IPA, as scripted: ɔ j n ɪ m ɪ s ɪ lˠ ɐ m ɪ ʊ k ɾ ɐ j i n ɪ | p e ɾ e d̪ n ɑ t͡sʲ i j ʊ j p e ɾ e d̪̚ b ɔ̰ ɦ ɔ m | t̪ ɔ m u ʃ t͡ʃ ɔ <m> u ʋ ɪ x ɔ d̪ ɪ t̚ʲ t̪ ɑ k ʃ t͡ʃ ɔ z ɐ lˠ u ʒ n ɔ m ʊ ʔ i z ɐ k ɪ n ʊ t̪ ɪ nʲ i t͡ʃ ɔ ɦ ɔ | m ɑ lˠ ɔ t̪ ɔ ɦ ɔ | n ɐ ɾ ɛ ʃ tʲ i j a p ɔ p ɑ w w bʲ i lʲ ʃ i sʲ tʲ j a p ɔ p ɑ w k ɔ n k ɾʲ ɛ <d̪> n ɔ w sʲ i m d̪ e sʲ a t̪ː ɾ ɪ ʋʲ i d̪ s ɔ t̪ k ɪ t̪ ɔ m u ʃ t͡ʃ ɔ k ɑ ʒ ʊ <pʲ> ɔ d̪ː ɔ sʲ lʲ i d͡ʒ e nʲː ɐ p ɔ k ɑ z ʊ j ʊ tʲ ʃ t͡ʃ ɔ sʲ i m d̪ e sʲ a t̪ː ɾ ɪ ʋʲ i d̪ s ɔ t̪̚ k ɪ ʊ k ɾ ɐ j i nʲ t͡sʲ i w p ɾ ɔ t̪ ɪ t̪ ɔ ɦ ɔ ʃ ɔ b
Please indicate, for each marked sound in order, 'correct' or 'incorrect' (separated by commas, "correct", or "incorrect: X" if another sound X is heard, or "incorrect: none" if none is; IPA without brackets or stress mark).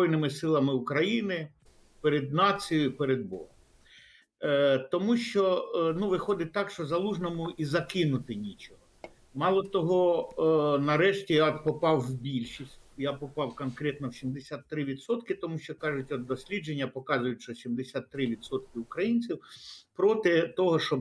incorrect: n, incorrect: t̪, incorrect: tʲ